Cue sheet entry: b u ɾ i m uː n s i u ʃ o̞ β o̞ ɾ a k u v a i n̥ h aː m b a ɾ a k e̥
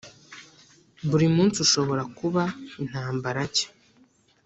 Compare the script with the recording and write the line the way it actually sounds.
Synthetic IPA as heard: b u ɾ i m uː n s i u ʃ o̞ β o̞ ɾ a k u β a i n̥ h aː m b a ɾ a c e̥